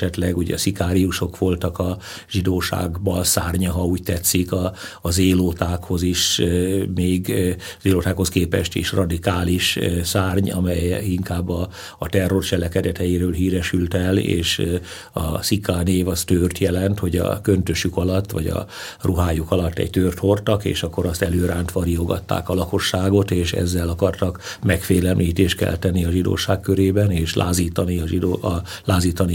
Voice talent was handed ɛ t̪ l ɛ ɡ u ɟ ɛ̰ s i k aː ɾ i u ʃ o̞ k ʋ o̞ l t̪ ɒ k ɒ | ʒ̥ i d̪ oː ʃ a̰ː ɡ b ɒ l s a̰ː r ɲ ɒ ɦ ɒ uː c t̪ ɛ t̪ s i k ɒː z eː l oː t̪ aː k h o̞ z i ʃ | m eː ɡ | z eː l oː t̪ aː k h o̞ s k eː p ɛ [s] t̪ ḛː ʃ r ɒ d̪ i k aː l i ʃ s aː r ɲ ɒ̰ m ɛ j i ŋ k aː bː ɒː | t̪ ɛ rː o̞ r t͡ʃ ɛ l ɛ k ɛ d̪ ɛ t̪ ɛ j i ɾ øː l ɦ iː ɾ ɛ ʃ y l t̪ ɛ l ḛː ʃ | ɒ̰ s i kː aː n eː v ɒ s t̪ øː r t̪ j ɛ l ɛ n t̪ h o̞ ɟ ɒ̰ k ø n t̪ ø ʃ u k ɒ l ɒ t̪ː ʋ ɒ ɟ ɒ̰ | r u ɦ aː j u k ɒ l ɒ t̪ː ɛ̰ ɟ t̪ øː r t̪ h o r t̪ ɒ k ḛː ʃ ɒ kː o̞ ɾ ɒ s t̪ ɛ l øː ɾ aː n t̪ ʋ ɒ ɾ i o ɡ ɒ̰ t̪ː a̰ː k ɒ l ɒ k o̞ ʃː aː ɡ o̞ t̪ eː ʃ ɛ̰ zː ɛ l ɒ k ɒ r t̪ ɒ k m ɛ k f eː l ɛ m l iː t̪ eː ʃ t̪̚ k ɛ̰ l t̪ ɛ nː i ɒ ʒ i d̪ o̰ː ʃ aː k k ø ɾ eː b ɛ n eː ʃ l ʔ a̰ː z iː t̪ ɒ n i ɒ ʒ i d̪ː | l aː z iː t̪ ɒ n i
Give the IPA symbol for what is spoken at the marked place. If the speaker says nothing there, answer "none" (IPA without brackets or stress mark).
ʃ